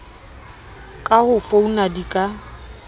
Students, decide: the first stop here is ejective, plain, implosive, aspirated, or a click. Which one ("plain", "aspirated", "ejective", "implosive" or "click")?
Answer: ejective